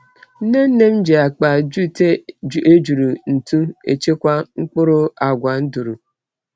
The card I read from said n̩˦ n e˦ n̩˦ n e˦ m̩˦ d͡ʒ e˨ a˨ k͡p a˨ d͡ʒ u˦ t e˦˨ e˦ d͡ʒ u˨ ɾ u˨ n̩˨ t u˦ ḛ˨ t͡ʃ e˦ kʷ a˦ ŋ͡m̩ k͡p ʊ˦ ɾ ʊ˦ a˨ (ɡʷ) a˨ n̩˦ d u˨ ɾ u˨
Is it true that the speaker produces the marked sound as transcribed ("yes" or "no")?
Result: yes